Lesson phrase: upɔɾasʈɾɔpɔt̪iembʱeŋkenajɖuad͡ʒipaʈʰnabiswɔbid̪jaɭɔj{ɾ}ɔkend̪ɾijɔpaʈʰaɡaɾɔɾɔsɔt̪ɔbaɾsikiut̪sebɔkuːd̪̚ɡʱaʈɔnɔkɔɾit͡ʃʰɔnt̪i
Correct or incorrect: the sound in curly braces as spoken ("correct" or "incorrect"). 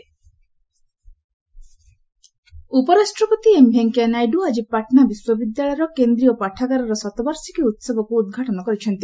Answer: correct